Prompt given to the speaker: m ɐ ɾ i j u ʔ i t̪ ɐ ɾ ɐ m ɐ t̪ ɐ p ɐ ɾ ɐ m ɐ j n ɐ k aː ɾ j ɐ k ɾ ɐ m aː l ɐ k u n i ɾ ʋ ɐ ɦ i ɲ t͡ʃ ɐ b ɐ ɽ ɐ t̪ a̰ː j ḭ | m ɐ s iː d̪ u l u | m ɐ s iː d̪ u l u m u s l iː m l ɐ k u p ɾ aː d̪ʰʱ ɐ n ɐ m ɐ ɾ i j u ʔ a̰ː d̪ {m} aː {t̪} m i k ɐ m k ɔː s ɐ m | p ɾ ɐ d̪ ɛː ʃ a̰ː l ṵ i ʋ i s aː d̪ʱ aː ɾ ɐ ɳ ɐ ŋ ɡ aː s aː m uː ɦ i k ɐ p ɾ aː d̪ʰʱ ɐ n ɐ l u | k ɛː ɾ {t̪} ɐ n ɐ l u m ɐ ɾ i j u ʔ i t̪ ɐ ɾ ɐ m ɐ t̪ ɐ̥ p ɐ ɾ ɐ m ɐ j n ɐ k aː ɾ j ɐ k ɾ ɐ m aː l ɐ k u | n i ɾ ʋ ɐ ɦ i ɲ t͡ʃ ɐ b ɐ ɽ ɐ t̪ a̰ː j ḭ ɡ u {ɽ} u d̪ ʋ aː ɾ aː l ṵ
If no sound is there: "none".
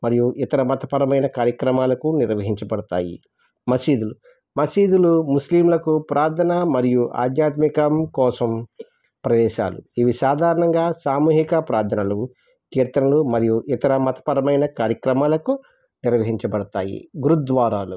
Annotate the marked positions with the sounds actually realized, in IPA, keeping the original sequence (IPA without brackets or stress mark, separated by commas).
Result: ɲ, t̪, t̪, ɾ